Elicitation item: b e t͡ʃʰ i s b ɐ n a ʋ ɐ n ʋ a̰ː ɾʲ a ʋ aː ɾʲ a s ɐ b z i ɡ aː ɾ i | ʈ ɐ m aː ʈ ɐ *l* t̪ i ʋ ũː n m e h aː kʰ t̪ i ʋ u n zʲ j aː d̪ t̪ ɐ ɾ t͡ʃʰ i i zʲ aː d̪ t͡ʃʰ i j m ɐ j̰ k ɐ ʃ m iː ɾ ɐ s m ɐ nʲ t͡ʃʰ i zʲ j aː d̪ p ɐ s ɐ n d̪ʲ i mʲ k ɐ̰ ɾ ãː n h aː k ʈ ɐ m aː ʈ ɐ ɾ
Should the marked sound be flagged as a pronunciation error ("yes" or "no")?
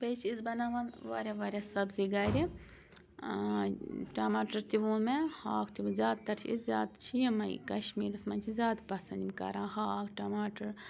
yes